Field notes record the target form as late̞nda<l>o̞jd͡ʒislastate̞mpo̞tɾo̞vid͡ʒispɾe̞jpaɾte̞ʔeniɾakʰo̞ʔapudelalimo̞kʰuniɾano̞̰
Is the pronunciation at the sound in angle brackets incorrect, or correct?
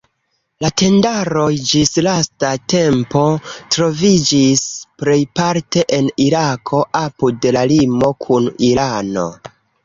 incorrect